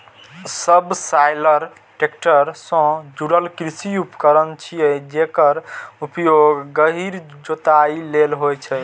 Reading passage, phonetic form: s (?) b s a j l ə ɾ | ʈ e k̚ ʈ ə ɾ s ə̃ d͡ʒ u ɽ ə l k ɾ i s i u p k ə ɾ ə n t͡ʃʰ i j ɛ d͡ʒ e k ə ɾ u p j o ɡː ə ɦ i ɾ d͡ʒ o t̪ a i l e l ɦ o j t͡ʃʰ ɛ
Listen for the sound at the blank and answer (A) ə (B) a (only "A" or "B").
A